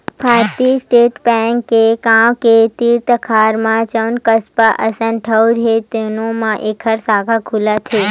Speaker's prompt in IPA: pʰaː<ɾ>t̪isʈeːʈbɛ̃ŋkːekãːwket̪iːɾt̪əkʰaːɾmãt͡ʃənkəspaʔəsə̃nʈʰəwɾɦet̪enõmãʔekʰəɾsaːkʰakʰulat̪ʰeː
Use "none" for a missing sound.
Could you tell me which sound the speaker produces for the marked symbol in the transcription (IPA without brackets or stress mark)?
ɾ